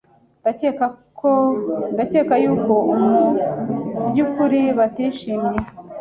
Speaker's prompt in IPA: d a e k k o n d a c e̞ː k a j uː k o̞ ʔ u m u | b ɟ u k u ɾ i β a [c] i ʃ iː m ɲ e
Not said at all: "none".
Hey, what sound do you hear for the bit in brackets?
t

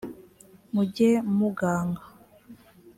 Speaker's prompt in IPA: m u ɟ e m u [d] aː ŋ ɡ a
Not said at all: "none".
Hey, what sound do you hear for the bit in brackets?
ɡ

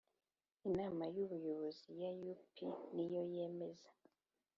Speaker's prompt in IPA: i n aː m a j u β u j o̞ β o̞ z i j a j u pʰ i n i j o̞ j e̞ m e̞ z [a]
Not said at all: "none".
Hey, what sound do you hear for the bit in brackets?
a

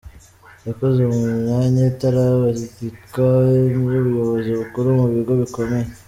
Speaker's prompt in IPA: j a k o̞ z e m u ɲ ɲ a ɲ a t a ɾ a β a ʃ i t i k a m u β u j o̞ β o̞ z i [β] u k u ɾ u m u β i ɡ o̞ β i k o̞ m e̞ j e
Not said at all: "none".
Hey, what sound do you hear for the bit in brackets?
β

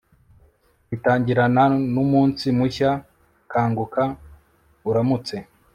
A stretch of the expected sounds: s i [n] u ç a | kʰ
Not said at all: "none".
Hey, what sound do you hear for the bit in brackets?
m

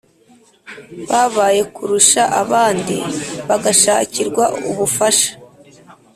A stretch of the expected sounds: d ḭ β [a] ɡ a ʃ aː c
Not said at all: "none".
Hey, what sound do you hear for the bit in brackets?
a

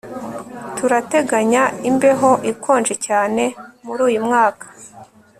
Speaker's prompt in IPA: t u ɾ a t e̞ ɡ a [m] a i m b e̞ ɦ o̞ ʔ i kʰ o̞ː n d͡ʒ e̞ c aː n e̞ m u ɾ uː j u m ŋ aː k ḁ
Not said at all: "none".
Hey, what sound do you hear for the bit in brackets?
ɲ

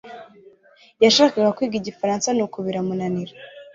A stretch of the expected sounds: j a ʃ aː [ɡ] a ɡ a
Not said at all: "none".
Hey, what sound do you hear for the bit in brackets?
k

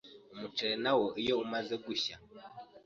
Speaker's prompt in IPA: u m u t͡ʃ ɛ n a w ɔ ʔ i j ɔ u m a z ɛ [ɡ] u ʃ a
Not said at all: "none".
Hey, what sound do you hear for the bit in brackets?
ɡ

